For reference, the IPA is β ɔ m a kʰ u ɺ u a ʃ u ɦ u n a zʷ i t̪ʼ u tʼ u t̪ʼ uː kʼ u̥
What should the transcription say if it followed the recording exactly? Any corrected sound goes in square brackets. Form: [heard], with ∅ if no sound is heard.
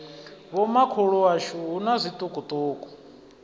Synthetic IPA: β ɔ m a kʰ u ɺ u a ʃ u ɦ u n a zʷ i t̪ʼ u [kʼ] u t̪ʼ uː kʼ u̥